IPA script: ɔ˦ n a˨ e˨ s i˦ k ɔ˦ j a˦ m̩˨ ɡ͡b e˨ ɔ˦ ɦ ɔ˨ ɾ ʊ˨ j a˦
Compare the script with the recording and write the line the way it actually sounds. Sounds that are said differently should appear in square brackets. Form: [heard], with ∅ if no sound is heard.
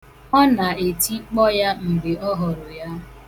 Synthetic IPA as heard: ɔ˦ n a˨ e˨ [t] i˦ [k͡p] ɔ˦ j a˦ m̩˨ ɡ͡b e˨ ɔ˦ ɦ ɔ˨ ɾ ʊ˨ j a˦